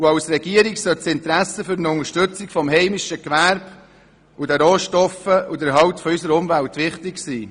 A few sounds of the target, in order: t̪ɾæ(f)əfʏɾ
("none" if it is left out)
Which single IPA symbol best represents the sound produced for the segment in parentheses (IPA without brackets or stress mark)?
s